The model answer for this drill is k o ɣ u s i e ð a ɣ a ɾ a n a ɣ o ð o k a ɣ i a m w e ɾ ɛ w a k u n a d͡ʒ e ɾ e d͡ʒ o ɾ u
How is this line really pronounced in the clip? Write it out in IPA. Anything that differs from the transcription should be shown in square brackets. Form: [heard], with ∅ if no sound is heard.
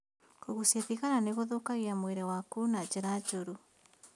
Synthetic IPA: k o ɣ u s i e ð [i] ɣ a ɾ a n [e] ɣ o ð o k a ɣ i a m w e ɾ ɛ w a k u n a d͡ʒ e ɾ [a] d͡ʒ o ɾ u